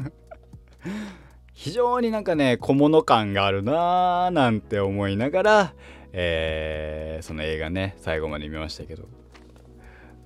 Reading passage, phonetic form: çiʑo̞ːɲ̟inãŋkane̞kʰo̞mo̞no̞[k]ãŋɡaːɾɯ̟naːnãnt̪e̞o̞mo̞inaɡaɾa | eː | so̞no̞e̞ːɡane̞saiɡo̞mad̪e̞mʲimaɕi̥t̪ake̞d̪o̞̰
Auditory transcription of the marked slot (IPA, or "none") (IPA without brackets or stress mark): k